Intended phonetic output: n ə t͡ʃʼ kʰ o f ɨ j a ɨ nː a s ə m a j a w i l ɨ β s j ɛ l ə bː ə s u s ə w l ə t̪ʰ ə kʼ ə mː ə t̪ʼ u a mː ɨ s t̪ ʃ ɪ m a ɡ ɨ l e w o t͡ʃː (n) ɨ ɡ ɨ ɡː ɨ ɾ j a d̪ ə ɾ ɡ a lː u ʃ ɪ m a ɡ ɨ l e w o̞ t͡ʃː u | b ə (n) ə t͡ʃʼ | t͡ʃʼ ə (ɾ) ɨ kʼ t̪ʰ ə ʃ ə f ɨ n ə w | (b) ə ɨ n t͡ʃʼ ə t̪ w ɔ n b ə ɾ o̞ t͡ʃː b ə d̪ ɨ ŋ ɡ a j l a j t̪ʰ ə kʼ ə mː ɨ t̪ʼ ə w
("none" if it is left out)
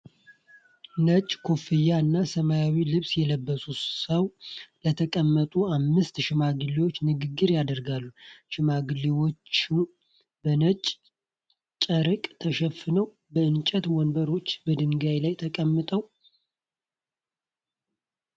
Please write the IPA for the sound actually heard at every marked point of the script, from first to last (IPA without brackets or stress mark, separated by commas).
n, n, ɾ, b